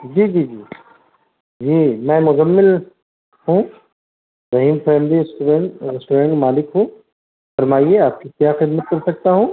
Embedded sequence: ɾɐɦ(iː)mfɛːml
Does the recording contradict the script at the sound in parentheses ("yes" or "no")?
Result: no